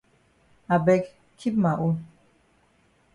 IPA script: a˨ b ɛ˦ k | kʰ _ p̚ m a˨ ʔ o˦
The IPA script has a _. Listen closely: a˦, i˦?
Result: i˦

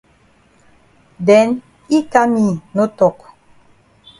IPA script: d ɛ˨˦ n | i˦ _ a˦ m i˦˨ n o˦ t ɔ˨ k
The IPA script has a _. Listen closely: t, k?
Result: k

